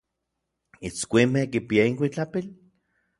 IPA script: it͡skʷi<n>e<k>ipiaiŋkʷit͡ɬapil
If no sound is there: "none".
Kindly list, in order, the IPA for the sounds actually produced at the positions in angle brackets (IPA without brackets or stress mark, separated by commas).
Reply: m, k